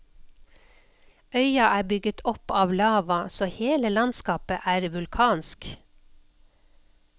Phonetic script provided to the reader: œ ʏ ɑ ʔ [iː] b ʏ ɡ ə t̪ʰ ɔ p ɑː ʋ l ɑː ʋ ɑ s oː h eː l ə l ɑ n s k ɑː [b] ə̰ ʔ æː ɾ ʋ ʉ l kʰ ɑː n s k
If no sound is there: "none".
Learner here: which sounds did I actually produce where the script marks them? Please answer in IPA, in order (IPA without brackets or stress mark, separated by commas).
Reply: æː, p